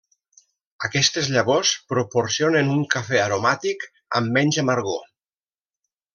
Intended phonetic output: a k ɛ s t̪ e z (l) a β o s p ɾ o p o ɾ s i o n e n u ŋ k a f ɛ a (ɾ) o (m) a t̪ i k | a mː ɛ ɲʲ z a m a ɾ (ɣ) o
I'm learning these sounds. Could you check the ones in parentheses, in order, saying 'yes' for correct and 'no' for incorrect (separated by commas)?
no, yes, yes, yes